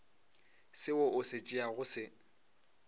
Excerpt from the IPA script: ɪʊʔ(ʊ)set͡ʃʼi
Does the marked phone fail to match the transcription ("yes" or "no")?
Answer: no